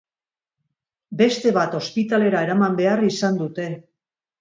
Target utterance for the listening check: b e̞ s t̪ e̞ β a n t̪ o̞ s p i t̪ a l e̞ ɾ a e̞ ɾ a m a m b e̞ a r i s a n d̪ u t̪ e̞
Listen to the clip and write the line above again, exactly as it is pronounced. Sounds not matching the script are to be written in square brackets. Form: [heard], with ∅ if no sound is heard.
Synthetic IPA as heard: b e̞ s t̪ e̞ β a [∅] t̪ o̞ s p i t̪ a l e̞ ɾ a e̞ ɾ a m a m b e̞ a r i s a n d̪ u t̪ e̞

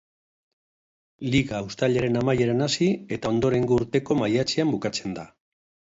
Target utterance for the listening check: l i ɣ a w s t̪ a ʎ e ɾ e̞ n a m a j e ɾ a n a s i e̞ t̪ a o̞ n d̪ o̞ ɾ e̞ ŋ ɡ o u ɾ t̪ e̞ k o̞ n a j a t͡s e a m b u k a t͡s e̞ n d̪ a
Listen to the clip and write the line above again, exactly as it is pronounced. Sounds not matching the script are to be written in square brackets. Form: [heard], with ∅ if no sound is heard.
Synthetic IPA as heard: l i ɣ a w s t̪ a ʎ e ɾ e̞ n a m a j e ɾ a n a s i e̞ t̪ a o̞ n d̪ o̞ ɾ e̞ ŋ ɡ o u ɾ t̪ e̞ k o̞ [m] a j a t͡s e a m b u k a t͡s e̞ n d̪ a

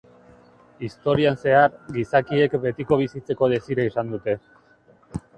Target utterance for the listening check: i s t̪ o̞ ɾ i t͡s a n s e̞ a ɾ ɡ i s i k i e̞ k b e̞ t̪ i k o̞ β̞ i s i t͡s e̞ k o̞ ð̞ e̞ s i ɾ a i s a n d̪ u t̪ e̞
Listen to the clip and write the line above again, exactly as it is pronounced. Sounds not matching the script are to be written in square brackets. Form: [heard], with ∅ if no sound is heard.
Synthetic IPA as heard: i s t̪ o̞ ɾ i [∅] a n s e̞ a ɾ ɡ i s [a] k i e̞ k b e̞ t̪ i k o̞ β̞ i s i t͡s e̞ k o̞ ð̞ e̞ s i ɾ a i s a n d̪ u t̪ e̞

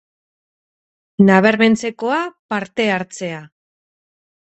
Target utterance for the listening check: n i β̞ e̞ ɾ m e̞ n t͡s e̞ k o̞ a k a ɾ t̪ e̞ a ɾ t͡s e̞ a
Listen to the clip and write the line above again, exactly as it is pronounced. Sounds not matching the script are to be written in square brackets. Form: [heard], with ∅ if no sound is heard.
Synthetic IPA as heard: n [a] β̞ e̞ ɾ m e̞ n t͡s e̞ k o̞ a [p] a ɾ t̪ e̞ a ɾ t͡s e̞ a

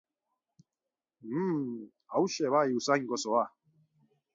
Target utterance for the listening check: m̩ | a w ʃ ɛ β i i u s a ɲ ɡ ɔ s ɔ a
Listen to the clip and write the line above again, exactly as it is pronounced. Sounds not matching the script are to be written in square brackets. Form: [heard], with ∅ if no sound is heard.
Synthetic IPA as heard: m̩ | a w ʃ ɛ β [a] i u s a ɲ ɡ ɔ s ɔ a

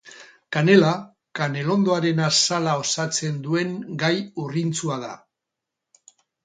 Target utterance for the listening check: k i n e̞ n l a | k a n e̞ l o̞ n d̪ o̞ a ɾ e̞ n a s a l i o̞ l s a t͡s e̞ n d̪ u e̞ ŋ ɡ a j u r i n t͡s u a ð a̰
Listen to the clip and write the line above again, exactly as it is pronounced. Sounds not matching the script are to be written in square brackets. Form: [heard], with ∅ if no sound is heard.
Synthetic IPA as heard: k [a] n e̞ [∅] l a | k a n e̞ l o̞ n d̪ o̞ a ɾ e̞ n a s a l [a] o̞ [∅] s a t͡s e̞ n d̪ u e̞ ŋ ɡ a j u r i n t͡s u a ð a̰

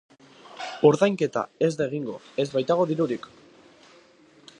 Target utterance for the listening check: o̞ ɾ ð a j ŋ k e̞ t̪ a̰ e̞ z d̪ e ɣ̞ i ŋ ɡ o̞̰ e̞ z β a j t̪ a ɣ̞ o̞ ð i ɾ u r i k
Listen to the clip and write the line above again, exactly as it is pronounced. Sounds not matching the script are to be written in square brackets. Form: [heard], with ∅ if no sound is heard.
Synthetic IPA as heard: o̞ ɾ ð a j ŋ k e̞ t̪ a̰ e̞ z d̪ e ɣ̞ i ŋ ɡ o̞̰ e̞ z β a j t̪ a ɣ̞ o̞ ð i ɾ u [ɾ] i k

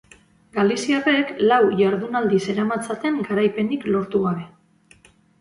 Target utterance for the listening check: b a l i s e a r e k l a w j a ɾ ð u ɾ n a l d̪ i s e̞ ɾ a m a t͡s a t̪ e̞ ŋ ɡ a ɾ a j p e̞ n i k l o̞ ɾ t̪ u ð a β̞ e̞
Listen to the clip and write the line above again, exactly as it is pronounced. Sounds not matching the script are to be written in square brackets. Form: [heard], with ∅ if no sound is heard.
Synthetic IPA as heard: [ɡ] a l i s [i] a r e k l a w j a ɾ ð u [∅] n a l d̪ i s e̞ ɾ a m a t͡s a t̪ e̞ ŋ ɡ a ɾ a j p e̞ n i k l o̞ ɾ t̪ u [ɣ] a β̞ e̞

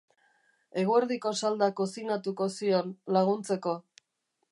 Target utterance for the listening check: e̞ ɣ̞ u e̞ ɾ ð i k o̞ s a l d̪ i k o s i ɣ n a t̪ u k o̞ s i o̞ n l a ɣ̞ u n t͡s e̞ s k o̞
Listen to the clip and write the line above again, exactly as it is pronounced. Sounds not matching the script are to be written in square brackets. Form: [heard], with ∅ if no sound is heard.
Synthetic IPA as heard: e̞ ɣ̞ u e̞ ɾ ð i k o̞ s a l d̪ [a] k o s i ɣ n a t̪ u k o̞ s i o̞ n l a ɣ̞ u n t͡s e̞ [∅] k o̞

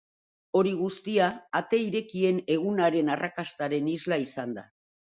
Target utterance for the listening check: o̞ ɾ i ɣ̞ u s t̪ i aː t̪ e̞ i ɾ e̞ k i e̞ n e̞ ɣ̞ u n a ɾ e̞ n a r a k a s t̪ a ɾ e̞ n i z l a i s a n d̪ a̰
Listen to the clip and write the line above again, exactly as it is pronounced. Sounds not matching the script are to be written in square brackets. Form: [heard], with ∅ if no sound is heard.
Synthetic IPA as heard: o̞ ɾ i ɣ̞ u s t̪ i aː t̪ e̞ i ɾ e̞ k i e̞ n e̞ ɣ̞ u n a ɾ e̞ n a r a k a s t̪ a ɾ e̞ n i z l a i s a n d̪ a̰

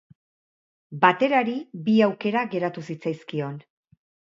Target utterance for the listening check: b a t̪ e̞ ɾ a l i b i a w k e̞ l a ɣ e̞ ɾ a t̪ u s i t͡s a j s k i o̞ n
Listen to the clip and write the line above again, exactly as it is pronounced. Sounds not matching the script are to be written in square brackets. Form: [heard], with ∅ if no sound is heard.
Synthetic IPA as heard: b a t̪ e̞ ɾ a [ɾ] i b i a w k e̞ [ɾ] a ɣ e̞ ɾ a t̪ u s i t͡s a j s k i o̞ n

